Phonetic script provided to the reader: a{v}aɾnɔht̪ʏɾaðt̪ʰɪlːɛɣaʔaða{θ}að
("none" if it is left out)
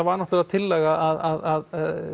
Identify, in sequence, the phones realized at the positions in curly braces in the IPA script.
v, ð

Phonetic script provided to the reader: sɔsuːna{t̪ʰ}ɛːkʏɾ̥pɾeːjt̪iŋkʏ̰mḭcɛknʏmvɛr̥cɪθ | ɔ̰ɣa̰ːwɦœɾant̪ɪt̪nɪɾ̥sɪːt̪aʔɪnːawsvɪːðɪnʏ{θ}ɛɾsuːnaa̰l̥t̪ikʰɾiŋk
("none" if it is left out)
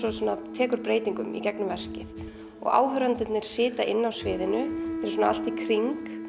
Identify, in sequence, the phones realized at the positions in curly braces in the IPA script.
t̪ʰ, θ

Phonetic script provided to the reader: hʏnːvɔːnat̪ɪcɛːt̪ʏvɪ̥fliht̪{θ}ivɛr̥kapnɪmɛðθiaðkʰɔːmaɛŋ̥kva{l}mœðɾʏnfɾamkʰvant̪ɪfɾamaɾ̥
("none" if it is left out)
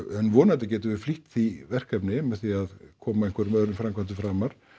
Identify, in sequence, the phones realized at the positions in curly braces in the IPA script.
θ, ɾ

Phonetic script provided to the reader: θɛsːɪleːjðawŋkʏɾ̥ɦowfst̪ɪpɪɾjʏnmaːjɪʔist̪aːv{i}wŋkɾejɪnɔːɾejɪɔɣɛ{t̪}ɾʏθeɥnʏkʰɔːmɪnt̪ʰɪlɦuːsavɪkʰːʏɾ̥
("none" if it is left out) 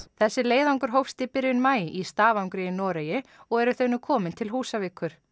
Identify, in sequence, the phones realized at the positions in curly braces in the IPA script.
a, none

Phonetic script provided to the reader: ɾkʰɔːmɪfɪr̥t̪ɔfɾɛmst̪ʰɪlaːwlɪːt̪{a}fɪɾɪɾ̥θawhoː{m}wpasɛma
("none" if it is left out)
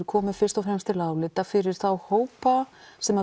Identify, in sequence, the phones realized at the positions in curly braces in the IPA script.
a, none

